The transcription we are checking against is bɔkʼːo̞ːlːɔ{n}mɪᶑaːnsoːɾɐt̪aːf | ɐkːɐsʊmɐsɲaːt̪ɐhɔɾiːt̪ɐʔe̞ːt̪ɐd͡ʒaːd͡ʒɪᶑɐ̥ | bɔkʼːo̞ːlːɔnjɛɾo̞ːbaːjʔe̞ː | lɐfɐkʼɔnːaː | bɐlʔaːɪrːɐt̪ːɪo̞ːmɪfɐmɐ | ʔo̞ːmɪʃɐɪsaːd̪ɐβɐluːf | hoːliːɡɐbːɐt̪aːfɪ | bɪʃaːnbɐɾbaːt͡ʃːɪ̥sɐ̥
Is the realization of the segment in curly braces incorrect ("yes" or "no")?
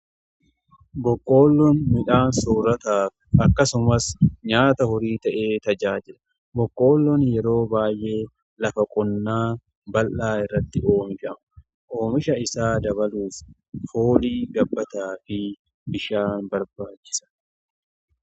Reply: no